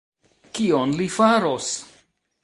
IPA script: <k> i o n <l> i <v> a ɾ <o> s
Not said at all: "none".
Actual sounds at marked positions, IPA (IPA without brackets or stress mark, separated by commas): k, l, f, o